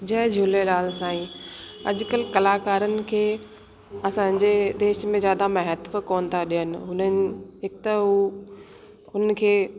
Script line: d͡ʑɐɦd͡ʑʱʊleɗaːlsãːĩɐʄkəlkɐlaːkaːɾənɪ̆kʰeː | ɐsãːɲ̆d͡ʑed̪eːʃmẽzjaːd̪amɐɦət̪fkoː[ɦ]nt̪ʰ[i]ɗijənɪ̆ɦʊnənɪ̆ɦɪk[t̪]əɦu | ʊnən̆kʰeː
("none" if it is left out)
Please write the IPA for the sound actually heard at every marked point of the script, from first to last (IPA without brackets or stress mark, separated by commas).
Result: none, a, t̪